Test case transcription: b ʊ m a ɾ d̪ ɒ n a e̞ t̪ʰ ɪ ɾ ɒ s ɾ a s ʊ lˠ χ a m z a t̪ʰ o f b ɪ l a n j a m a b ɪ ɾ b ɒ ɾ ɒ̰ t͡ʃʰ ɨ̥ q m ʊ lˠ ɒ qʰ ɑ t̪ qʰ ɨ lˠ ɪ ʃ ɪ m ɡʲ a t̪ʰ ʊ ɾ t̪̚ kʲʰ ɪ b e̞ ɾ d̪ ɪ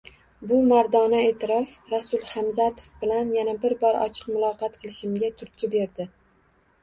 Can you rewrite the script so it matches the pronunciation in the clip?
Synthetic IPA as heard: b ʊ m a ɾ d̪ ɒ n a e̞ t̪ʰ ɪ ɾ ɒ f ɾ a s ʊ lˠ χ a m z a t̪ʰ o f b ɪ l a n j a n a b ɪ ɾ b ɒ ɾ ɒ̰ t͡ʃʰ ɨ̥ q m ʊ lˠ ɒ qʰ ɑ t̪ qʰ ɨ lˠ ɪ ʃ ɪ m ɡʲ a t̪ʰ ʊ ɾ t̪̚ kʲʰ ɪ b e̞ ɾ d̪ ɪ